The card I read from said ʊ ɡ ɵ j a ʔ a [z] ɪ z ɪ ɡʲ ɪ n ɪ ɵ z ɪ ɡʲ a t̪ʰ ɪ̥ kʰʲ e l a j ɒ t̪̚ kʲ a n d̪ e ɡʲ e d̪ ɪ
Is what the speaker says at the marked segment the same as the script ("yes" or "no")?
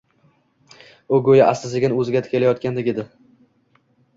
no